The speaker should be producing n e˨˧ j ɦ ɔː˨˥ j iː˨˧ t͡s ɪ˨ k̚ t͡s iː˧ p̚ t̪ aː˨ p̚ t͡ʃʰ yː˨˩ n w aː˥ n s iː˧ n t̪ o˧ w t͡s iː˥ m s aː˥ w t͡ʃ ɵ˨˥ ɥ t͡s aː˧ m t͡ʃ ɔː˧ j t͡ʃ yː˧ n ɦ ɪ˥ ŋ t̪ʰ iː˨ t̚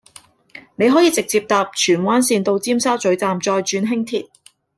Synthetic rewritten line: n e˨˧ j ɦ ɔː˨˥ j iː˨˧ t͡s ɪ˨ k̚ t͡s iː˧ p̚ t̪ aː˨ p̚ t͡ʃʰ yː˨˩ n w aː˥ n s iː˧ n t̪ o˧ w t͡s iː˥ m s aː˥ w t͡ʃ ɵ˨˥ ɥ t͡s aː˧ m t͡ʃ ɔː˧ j t͡ʃ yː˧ n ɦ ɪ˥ ŋ t̪ʰ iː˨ t̚